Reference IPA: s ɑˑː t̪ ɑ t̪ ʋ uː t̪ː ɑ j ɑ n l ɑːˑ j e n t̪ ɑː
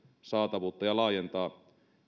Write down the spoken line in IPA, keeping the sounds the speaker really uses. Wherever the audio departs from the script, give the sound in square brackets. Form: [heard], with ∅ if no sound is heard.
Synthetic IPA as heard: s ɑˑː t̪ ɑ [∅] ʋ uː t̪ː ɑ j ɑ [∅] l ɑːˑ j e n t̪ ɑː

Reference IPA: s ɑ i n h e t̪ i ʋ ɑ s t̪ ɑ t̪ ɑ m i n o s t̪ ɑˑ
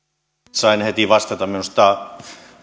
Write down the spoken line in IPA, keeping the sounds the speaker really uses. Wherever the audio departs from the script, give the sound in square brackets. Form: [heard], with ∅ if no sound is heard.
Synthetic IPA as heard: s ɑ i n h e t̪ i ʋ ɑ s t̪ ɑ t̪ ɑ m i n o s t̪ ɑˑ

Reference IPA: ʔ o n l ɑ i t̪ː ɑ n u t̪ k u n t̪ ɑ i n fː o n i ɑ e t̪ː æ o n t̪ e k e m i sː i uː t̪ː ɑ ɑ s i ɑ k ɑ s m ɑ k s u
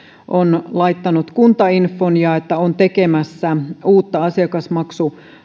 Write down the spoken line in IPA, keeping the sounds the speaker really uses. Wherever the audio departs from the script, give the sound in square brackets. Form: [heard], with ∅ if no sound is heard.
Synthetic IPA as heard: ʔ o n l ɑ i t̪ː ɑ n u t̪ k u n t̪ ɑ i n fː o n [j] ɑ e t̪ː æ o n t̪ e k e m [æ] sː [æ] uː t̪ː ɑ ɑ s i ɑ k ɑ s m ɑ k s u

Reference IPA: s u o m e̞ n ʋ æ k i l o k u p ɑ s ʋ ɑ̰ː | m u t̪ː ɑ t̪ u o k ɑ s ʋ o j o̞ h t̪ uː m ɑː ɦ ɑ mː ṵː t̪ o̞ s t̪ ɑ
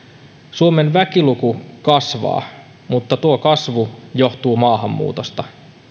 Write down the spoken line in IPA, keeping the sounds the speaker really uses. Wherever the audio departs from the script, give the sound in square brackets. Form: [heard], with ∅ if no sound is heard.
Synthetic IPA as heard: s u o m e̞ n ʋ æ k i l [u] k u [k] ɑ s ʋ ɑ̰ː | m u t̪ː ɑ t̪ u o k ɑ s ʋ [u] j o̞ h t̪ uː m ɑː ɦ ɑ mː ṵː t̪ o̞ s t̪ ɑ

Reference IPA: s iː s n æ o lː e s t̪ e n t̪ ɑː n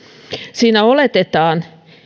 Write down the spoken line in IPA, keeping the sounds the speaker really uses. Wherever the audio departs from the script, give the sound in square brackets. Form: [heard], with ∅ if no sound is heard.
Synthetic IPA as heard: s iː [∅] n æ o [l] e [∅] t̪ e [∅] t̪ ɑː n

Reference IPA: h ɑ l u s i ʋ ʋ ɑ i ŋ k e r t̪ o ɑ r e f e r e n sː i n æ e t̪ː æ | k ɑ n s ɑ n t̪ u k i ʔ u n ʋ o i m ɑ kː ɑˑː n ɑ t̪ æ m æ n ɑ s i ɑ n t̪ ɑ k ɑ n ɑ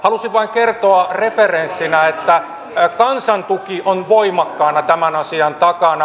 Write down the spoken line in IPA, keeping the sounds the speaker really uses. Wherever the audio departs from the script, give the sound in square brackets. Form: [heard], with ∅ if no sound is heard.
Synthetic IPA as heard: h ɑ l u s i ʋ ʋ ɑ i ŋ k e r t̪ o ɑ r e f e r e n sː i n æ e t̪ː æ | k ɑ n s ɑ n t̪ u k i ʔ [o] n ʋ o i m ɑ kː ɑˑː n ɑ t̪ æ m æ n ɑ s i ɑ n t̪ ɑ k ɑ n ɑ

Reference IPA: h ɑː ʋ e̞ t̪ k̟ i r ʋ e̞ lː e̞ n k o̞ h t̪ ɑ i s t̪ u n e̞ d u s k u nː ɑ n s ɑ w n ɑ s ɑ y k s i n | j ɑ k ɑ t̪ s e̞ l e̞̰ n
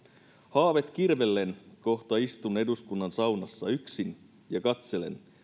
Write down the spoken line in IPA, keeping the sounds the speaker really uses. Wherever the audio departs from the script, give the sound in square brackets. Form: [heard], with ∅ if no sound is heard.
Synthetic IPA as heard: h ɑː ʋ e̞ t̪ k̟ i r ʋ e̞ lː e̞ n k o̞ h t̪ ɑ i s t̪ u n e̞ d u s k u nː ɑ n s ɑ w n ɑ [sː] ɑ y k s i n | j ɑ k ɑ t̪ s e̞ l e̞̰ n

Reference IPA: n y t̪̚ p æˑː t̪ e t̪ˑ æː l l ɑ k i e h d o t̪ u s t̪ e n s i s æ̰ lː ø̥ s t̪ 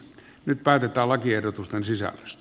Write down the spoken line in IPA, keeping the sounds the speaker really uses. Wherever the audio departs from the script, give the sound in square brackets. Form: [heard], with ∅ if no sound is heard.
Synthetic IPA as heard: n y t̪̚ p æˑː t̪ e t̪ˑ æː l l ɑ k i e h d o t̪ u s t̪ e n s i s æ̰ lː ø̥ s t̪

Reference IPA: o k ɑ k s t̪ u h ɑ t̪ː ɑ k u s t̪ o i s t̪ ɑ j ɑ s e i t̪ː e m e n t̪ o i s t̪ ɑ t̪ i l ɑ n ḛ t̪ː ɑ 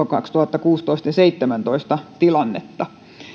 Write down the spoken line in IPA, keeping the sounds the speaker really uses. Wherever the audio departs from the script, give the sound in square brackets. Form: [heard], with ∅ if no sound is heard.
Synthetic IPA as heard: o k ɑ k s t̪ u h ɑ t̪ː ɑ k [uː] s t̪ o i s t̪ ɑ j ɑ s e i t̪ː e m [æ] n t̪ o i s t̪ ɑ t̪ i l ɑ [nː] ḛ t̪ː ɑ

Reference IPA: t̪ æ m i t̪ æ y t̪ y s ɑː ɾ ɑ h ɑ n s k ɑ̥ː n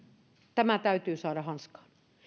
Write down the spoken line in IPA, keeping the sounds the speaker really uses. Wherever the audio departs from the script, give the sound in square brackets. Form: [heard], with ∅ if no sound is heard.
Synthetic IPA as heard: t̪ æ m [æ] t̪ æ y t̪ [yː] s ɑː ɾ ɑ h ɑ n s k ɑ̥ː n

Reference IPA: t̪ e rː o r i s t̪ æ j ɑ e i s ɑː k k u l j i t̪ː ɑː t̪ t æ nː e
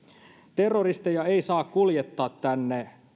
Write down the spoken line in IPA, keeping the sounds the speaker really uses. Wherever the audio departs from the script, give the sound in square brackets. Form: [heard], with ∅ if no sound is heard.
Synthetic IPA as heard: t̪ e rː o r i s t̪ [e] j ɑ e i s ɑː k k u l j [e] t̪ː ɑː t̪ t æ nː e

